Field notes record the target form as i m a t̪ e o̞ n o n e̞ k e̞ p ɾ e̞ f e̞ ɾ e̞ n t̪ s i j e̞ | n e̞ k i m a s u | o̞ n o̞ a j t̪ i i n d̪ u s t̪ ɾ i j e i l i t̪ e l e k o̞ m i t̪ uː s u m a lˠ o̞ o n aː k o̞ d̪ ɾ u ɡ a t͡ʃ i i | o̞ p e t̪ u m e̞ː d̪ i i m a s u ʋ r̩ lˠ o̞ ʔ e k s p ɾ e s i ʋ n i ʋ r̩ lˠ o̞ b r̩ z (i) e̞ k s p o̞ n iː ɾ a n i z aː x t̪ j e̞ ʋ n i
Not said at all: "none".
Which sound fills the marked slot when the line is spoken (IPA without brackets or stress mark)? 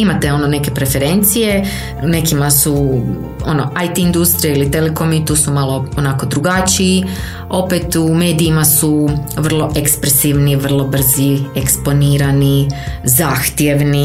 i